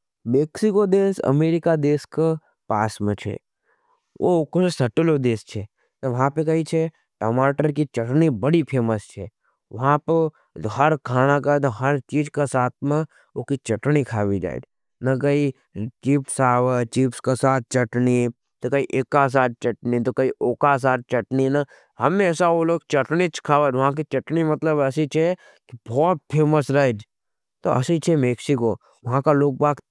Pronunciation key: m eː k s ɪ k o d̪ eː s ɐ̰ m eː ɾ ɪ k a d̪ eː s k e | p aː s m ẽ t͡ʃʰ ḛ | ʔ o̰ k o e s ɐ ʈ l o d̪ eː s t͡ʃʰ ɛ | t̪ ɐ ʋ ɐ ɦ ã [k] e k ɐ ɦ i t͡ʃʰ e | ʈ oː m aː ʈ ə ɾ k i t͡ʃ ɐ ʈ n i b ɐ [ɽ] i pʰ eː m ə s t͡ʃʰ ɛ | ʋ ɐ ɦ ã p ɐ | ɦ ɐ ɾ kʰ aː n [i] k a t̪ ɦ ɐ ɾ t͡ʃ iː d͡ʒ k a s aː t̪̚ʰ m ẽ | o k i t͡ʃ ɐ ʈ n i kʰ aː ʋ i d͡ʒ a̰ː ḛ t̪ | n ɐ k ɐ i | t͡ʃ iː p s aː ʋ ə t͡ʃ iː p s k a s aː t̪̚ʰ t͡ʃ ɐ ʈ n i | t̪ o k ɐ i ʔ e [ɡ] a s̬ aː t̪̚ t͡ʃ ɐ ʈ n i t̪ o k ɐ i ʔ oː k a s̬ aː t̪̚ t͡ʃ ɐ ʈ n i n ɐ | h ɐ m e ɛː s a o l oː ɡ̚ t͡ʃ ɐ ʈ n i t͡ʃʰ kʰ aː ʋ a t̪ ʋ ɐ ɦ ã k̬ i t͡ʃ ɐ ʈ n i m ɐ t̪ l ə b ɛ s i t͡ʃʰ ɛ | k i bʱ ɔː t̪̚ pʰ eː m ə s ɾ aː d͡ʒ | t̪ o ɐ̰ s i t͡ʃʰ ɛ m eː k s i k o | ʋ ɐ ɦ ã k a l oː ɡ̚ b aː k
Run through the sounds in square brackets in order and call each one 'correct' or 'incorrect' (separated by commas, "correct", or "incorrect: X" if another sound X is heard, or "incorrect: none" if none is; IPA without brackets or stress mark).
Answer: incorrect: p, correct, incorrect: a, incorrect: k